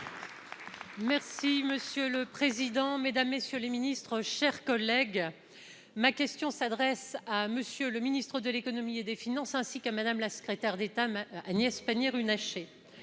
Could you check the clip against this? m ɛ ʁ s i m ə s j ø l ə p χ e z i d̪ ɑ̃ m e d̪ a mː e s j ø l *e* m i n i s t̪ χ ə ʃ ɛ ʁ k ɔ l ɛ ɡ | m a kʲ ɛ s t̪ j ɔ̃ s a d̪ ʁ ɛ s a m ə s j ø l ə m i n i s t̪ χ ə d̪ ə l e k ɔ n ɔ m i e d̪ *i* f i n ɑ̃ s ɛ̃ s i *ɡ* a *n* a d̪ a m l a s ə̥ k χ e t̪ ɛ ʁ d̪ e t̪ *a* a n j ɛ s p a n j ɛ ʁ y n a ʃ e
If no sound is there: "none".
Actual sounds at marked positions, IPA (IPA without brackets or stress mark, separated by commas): e, e, k, m, a